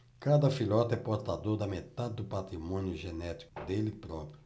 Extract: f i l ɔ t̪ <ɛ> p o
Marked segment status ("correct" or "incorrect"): correct